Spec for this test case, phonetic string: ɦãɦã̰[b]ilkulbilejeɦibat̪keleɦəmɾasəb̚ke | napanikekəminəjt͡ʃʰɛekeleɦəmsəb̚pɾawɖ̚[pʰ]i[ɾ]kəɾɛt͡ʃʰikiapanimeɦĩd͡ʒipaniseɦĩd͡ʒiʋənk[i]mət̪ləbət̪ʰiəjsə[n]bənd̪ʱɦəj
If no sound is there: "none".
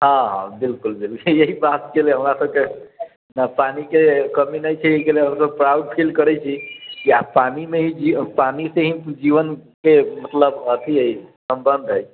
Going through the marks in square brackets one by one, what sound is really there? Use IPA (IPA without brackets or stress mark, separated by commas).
b, pʰ, l, e, m